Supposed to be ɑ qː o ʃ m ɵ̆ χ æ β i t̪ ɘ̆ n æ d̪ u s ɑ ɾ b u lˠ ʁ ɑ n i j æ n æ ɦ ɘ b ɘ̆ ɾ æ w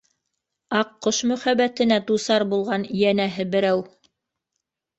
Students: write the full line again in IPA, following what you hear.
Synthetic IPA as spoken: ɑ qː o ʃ m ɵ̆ χ æ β æ t̪ ɘ̆ n æ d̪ u s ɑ ɾ b u lˠ ʁ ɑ n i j æ n æ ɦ ɘ b ɘ̆ ɾ æ w